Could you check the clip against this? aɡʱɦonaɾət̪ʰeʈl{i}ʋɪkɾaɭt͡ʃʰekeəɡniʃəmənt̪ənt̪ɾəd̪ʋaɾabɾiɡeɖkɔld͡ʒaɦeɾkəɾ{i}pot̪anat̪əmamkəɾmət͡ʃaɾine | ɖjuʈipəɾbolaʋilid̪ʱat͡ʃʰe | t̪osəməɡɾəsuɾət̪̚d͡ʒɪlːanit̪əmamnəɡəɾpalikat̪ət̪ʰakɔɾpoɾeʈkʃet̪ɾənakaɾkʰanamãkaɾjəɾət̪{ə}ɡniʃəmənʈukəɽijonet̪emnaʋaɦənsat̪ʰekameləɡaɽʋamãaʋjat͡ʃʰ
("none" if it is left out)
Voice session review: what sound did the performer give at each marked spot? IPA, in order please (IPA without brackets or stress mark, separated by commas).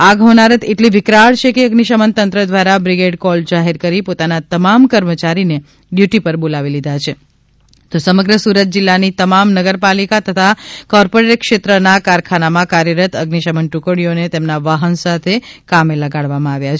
i, i, ə